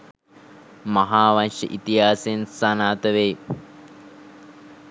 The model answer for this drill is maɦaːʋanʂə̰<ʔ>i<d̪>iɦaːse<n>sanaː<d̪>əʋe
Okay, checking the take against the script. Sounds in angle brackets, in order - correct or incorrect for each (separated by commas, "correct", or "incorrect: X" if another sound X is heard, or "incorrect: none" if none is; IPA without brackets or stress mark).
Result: correct, incorrect: t̪, correct, incorrect: t̪